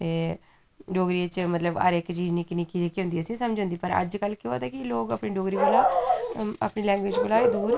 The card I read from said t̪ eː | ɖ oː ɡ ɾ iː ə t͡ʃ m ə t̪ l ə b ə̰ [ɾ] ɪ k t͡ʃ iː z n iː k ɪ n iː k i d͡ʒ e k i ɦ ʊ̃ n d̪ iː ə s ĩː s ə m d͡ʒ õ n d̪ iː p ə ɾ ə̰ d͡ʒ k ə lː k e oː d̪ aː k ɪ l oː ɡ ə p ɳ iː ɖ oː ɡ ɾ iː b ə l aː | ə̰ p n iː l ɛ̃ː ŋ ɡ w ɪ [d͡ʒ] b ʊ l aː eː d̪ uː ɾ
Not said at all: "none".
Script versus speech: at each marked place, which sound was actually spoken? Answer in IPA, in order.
ɾ, d͡ʒ

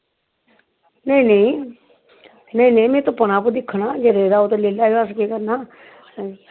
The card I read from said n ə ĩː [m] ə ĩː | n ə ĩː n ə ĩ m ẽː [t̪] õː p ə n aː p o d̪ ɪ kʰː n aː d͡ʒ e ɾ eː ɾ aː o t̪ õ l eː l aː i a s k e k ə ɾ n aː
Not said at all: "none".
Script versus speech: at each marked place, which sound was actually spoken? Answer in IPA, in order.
n, t̪

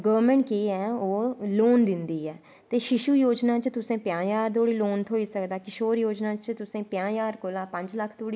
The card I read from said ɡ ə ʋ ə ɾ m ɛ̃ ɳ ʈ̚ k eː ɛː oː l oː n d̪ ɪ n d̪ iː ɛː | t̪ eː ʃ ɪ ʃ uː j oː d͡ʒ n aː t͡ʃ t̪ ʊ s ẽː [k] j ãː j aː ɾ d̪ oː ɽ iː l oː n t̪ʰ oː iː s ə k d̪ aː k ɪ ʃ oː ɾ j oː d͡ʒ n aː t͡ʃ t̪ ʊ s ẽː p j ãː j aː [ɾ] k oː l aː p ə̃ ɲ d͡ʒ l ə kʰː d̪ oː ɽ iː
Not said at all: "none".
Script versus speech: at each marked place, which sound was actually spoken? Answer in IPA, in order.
p, ɾ

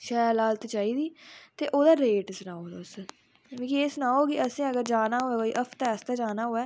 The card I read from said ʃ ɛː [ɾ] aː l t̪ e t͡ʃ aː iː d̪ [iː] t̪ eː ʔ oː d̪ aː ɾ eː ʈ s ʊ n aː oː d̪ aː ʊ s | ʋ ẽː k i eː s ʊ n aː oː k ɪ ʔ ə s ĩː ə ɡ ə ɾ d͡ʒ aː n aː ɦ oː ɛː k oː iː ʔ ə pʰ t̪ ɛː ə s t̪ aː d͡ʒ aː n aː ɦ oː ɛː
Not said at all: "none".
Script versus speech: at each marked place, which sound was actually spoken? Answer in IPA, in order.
l, iː

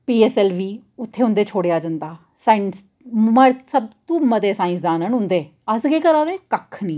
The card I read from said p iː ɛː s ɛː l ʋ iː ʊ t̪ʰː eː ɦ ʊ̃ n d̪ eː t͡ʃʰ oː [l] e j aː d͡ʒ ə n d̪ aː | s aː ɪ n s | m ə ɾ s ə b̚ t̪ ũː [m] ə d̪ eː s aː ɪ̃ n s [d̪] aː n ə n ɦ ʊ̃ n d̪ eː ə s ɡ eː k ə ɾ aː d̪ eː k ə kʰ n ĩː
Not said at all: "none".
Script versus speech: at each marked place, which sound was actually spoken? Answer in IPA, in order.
ɽ, m, d̪

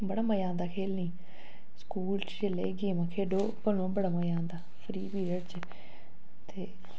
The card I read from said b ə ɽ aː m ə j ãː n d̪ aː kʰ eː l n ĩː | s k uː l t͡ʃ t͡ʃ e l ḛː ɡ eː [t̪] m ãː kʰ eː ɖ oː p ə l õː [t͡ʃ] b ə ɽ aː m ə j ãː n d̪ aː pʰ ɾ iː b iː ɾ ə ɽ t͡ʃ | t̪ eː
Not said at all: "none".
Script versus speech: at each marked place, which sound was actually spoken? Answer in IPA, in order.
none, none

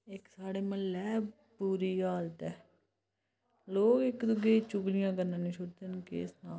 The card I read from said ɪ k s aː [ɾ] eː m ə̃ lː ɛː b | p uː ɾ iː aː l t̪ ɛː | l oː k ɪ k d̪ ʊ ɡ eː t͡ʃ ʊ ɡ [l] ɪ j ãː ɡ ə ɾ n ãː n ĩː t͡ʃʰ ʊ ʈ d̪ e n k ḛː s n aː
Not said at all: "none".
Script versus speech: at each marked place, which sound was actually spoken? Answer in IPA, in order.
ɽ, l

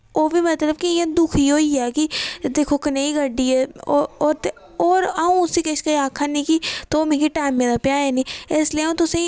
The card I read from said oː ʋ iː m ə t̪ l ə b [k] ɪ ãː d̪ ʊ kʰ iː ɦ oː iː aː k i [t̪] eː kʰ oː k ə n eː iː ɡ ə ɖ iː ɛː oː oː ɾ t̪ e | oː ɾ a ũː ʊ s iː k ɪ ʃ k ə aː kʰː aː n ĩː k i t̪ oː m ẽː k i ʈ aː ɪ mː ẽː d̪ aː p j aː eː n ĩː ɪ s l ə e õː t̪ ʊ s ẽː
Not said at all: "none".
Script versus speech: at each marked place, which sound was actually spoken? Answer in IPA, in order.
k, d̪

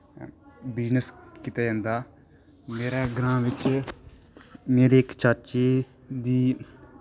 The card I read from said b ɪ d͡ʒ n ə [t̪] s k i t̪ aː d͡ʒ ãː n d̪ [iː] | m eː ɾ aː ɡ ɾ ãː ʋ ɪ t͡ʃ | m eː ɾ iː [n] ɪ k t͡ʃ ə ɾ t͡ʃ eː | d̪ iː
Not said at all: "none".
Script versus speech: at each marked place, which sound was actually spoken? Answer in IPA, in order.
none, aː, none

